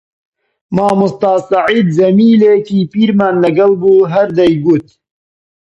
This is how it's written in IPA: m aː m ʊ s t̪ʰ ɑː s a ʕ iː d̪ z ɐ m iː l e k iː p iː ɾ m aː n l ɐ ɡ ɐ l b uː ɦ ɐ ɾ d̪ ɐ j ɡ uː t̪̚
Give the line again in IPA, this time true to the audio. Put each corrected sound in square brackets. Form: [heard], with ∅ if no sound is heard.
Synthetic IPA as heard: m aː m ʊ s [t̪] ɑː s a ʕ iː d̪ z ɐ m iː l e k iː p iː ɾ m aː n l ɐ ɡ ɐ l b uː ɦ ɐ ɾ d̪ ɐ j ɡ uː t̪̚